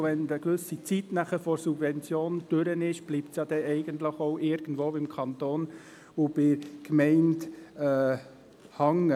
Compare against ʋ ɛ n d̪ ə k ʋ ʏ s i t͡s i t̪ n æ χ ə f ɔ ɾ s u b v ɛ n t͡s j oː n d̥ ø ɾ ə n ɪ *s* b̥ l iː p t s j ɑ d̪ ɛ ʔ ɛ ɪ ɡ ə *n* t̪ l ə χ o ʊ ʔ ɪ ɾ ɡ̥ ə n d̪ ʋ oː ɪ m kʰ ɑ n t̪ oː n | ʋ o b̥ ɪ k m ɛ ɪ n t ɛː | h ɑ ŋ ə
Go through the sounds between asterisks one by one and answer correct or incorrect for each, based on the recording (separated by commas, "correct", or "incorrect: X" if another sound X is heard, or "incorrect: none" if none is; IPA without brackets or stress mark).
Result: incorrect: ʃ, correct